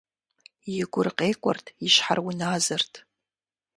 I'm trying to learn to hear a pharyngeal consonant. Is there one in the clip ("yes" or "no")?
yes